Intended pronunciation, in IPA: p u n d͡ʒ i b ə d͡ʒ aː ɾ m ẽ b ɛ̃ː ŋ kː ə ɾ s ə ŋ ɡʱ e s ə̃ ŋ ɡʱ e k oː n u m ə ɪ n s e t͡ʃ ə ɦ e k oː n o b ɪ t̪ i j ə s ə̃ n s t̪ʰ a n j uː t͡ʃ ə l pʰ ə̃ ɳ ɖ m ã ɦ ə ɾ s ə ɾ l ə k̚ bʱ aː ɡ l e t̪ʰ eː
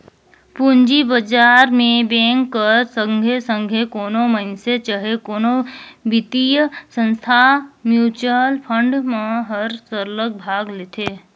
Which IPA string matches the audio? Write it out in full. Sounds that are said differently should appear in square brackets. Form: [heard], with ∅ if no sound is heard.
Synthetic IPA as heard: p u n d͡ʒ i b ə d͡ʒ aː ɾ m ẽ b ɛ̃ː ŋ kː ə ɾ s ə ŋ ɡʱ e s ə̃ ŋ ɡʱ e k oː n [o] m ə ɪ n s e t͡ʃ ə ɦ e k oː n o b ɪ t̪ i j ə s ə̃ n s t̪ʰ a [m] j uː t͡ʃ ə l pʰ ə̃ ɳ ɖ m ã ɦ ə ɾ s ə ɾ l ə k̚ bʱ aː ɡ l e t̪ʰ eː